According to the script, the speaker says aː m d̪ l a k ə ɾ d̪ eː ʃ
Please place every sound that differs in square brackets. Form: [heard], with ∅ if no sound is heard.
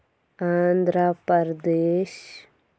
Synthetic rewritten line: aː [n] d̪ [ɾ] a [p] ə ɾ d̪ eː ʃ